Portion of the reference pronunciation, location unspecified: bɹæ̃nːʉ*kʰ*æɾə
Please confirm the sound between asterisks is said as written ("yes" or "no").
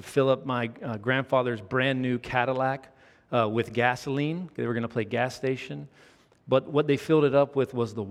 yes